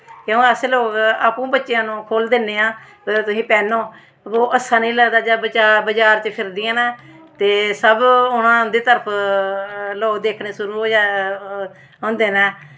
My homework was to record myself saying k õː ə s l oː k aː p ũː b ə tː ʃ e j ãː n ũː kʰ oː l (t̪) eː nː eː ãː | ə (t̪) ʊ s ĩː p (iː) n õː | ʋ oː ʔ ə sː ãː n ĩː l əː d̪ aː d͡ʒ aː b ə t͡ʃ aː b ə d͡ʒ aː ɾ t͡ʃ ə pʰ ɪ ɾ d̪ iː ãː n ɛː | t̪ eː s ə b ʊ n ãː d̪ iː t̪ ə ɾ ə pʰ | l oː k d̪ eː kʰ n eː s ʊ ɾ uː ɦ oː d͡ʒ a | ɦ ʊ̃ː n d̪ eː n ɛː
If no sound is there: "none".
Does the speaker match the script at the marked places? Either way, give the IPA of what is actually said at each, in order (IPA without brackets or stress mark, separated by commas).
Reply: d̪, t̪, ɛː